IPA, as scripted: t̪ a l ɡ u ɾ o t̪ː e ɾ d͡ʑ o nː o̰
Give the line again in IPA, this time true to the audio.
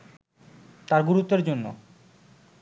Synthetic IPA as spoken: t̪ a ɾ ɡ u ɾ u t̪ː e ɾ d͡ʑ o nː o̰

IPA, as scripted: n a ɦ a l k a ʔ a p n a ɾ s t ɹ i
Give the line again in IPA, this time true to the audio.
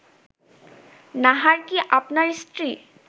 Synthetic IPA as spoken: n a ɦ a ɹ k i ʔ a p n a ɹ s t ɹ i

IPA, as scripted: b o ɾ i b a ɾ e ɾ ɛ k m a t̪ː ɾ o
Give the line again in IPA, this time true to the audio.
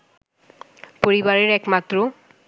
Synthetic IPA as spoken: p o ɾ i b a ɾ e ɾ ɛ k m a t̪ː ɾ o

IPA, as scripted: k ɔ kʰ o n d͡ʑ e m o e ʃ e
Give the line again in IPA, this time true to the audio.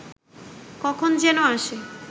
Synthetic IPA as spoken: k ɔ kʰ o n d͡ʑ e n o a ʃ e

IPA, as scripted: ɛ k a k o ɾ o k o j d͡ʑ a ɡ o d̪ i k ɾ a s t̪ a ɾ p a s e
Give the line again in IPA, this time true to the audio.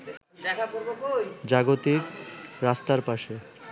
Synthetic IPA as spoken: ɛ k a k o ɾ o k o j d͡ʑ a ɡ o t̪ i k ɾ a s t̪ a ɾ p a ʃ e

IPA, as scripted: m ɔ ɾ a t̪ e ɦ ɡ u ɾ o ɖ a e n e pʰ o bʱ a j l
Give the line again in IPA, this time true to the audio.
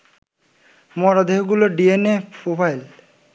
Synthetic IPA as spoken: m ɔ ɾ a d̪ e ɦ ɡ u l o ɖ i e n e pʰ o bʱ a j l

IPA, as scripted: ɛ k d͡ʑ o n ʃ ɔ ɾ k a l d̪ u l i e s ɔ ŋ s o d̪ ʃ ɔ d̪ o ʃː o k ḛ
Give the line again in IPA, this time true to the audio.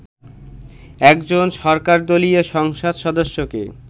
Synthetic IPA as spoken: ɛ k d͡ʑ o n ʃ ɔ ɾ k a ɾ d̪ o l i e ʃ ɔ ŋ ʃ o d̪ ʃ ɔ d̪ o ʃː o k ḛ

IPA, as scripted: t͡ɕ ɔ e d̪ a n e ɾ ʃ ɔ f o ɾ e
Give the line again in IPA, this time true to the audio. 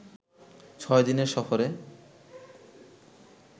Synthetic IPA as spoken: t͡ɕʰ ɔ e d̪ i n e ɾ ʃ ɔ f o ɾ e

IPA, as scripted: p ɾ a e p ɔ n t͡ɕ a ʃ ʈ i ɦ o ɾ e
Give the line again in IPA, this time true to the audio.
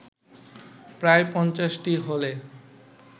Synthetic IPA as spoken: p ɾ a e p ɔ n t͡ɕ a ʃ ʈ i ɦ o l e

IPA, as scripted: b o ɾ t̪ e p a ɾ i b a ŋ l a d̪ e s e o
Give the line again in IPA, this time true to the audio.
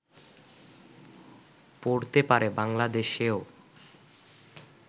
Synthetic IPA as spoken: p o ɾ t̪ e p a ɾ e b a ŋ l a d̪ e ʃ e o

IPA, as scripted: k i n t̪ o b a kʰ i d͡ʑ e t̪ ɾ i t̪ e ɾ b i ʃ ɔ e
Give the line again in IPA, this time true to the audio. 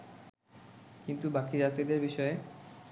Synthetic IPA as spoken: k i n t̪ u b a k i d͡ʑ a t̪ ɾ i d̪ e ɾ b i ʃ ɔ e

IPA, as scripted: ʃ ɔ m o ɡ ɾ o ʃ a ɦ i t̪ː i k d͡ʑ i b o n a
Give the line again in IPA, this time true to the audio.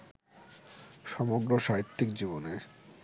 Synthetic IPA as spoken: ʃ ɔ m o ɡ ɾ o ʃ a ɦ i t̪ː i k d͡ʑ i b o n e

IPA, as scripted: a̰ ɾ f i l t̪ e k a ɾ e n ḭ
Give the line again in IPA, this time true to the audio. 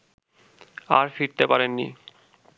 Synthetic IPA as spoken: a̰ ɾ f i ɾ t̪ e p a ɾ e nː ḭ

